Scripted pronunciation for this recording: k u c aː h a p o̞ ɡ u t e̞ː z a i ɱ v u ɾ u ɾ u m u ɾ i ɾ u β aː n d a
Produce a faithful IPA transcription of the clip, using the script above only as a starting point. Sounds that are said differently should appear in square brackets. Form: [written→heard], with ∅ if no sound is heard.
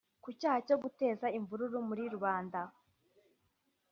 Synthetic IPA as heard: k u c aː h a [p→c] o̞ ɡ u t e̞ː z a i ɱ v u ɾ u ɾ u m u ɾ i ɾ u β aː n d a